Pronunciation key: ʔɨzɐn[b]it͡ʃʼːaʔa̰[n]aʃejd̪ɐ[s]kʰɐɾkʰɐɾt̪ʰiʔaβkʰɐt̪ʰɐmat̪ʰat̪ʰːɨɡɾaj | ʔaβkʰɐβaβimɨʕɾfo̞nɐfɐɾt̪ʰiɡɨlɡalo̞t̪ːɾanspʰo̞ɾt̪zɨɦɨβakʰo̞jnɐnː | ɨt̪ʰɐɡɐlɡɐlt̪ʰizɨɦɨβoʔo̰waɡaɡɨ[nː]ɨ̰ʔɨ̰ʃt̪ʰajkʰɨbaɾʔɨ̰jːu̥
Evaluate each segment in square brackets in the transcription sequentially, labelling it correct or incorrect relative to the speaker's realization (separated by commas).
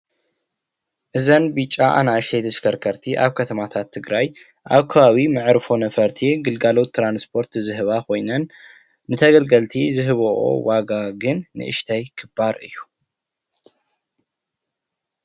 correct, correct, correct, correct